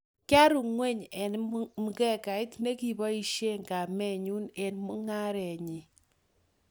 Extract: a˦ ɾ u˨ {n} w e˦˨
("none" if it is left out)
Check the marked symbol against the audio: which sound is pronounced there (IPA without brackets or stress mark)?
ŋ